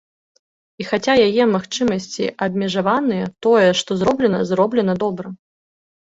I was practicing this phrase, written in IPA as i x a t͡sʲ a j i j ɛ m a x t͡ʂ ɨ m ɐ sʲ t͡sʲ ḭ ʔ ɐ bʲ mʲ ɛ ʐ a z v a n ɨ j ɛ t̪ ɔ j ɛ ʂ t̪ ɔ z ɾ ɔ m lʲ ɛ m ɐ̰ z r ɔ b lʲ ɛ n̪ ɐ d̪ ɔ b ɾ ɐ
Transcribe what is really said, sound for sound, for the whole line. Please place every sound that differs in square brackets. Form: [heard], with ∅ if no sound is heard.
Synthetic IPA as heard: i x a t͡sʲ a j [a] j ɛ m a x t͡ʂ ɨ m ɐ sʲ t͡sʲ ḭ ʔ ɐ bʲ mʲ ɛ ʐ a [∅] v a n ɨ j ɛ t̪ ɔ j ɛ ʂ t̪ ɔ z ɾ ɔ [b] lʲ ɛ [n] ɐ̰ z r ɔ b lʲ ɛ n̪ ɐ d̪ ɔ b ɾ ɐ